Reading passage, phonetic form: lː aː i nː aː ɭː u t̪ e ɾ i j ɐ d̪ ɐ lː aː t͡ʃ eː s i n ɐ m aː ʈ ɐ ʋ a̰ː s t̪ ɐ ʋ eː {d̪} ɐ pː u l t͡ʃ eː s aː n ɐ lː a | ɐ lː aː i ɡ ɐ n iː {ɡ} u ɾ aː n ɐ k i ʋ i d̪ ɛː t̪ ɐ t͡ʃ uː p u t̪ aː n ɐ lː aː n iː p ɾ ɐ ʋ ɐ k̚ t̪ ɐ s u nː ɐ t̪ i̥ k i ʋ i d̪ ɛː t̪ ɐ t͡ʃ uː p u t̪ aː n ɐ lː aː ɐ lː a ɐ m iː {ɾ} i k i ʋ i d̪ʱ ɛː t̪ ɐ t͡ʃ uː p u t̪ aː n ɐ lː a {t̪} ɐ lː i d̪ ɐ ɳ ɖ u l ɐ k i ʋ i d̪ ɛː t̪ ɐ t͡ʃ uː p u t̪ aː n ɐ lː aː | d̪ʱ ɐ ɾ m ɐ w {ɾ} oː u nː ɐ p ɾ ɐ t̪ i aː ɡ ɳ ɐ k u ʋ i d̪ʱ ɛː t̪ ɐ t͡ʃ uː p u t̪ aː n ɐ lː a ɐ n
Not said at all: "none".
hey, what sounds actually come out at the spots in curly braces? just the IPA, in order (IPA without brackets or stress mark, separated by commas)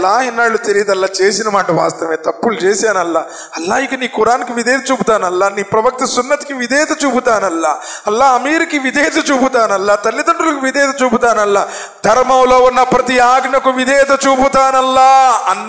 t̪, k, ɾ, t̪, l